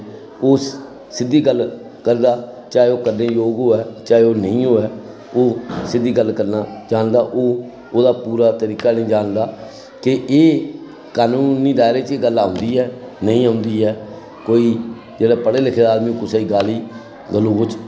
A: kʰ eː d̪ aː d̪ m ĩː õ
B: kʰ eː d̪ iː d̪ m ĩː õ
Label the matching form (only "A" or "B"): A